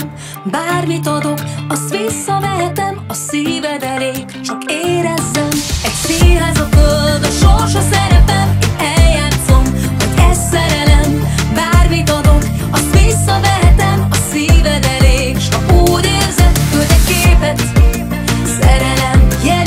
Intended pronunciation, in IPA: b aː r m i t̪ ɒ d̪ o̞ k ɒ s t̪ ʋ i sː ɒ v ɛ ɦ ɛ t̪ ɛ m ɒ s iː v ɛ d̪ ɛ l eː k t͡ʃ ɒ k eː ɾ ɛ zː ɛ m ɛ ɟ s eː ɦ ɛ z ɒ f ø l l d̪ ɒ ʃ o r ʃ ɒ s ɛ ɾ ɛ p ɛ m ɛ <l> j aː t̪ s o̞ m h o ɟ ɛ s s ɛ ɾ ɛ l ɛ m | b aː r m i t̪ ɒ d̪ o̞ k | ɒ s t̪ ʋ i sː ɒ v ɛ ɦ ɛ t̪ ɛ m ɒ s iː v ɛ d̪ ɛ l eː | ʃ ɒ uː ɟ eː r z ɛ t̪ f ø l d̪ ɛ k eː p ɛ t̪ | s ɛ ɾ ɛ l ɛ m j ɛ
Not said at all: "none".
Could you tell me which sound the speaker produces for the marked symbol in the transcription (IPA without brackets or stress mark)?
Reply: l